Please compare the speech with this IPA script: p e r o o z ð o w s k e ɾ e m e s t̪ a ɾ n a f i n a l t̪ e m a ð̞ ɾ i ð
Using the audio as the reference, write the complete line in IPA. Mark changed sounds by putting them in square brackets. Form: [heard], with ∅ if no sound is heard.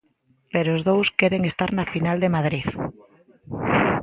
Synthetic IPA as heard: p e [ɾ] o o z ð o w s k e ɾ e [ŋ] e s t̪ a ɾ n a f i n a l [d̪] e m a ð̞ ɾ i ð